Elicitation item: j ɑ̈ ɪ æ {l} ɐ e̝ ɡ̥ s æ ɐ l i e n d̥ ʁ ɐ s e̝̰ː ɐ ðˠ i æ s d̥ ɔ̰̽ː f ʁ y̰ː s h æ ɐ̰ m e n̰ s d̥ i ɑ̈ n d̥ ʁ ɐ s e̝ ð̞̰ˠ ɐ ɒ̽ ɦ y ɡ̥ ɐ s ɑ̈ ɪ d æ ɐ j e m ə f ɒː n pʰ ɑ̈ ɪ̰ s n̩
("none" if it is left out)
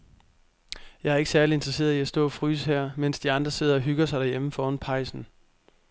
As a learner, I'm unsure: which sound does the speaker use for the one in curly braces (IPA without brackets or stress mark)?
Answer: none